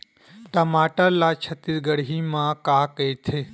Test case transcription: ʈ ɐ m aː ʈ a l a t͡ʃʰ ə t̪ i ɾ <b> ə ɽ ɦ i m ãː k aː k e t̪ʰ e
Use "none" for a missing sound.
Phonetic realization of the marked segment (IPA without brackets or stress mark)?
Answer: ɡ